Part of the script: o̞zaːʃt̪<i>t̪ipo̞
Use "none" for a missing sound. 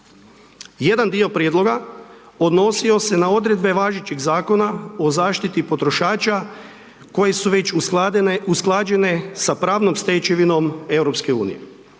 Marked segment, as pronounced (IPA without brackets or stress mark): i